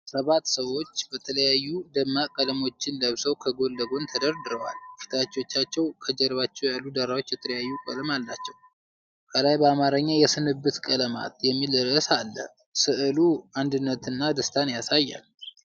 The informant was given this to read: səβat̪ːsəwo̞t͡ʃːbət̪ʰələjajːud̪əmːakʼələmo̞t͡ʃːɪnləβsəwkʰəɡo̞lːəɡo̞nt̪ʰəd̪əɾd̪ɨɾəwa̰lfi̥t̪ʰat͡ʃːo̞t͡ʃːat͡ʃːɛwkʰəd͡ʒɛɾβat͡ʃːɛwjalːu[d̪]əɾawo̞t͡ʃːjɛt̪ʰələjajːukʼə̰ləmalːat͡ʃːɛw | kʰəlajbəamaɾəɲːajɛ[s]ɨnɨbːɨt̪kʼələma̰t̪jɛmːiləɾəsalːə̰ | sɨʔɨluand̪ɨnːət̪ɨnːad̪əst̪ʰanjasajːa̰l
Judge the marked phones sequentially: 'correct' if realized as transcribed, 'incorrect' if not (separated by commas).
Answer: correct, correct